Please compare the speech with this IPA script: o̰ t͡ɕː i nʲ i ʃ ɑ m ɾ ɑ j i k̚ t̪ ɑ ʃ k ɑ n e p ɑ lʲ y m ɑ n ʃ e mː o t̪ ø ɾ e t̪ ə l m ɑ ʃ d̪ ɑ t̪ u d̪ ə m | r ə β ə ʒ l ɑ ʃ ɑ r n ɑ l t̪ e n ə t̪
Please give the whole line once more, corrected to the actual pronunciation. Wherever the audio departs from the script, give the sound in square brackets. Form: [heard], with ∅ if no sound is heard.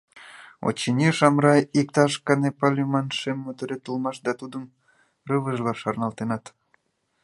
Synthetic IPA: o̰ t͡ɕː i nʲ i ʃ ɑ m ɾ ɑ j i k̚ t̪ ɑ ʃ k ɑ n e p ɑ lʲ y m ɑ n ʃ e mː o t̪ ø ɾ e t̪ ə l m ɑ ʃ d̪ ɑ t̪ u d̪ ə m | r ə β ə ʒ l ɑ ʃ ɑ r n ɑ l t̪ e n [ɑ] t̪